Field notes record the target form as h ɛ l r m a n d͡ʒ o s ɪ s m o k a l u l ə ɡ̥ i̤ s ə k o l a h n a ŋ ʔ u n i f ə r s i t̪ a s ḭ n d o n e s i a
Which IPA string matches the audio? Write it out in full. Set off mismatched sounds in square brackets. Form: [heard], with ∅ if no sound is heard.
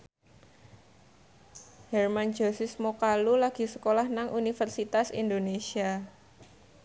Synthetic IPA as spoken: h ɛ [∅] r m a n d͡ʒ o s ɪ s m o k a l u l [a] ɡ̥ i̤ s ə k o l a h n a ŋ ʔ u n i f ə r s i t̪ a s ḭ n d o n e s i a